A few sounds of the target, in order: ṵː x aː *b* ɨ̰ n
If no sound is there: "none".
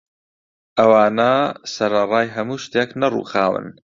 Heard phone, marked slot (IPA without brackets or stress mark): w